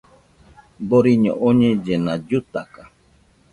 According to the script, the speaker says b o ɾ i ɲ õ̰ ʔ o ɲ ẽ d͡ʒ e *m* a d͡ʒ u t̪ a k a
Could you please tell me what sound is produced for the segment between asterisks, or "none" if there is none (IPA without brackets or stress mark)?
n